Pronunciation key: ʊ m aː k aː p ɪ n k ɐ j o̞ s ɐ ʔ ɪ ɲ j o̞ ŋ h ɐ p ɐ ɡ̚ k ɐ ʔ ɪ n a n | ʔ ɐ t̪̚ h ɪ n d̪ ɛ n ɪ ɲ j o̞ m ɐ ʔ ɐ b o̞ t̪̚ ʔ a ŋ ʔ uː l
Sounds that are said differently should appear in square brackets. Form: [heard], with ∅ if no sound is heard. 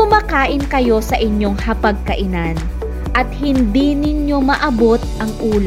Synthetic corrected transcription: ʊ m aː k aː [ʔ] ɪ n k ɐ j o̞ s ɐ ʔ ɪ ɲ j o̞ ŋ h ɐ p ɐ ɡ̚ k ɐ ʔ ɪ n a n | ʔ ɐ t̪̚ h ɪ n d̪ [i] n ɪ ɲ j o̞ m ɐ ʔ ɐ b o̞ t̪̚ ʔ [ɐ] ŋ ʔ uː l